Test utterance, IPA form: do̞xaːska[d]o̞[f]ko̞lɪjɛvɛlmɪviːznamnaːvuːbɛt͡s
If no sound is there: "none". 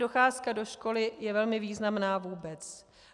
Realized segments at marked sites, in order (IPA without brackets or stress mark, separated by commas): d, ʃ